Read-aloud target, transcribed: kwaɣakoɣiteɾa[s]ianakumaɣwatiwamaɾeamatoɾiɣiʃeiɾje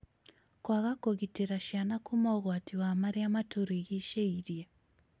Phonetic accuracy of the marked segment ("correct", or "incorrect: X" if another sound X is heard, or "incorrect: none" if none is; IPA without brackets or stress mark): incorrect: ʃ